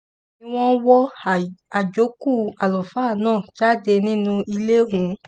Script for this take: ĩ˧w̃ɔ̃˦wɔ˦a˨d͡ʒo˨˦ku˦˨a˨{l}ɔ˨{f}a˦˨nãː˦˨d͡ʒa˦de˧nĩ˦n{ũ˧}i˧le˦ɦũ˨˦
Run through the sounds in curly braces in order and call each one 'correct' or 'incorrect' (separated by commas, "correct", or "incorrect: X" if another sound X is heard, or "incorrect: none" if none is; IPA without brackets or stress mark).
correct, correct, correct